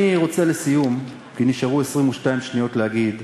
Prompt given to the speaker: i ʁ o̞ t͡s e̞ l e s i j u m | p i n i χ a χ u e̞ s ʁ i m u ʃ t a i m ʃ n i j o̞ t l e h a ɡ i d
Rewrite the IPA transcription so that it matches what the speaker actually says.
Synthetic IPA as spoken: i ʁ o̞ t͡s e̞ l e s i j u m | k i n i ʃ a ʁ u e̞ s ʁ i m u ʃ t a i m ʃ n i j o̞ t l e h a ɡ i d